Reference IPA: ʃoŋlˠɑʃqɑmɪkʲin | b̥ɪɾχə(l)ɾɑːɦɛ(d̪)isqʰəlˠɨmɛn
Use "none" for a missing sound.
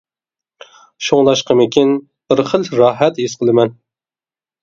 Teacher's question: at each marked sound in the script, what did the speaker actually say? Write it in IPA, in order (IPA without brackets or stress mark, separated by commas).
l, t̪